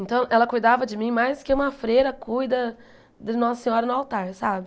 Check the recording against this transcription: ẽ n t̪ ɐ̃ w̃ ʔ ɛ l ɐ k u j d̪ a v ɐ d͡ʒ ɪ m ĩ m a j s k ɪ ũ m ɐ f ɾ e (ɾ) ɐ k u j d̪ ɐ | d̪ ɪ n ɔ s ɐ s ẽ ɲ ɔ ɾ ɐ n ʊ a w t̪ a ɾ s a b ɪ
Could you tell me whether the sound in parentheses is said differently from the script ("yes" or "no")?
no